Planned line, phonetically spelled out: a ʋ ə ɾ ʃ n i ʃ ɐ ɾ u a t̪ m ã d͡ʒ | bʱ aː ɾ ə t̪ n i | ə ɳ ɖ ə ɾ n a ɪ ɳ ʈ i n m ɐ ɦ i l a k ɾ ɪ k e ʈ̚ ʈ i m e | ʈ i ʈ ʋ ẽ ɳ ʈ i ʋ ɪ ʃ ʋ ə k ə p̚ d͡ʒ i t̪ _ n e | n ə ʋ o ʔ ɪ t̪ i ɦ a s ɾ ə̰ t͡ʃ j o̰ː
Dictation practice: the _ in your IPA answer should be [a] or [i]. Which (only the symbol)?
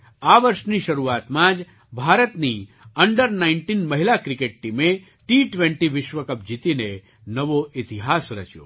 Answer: i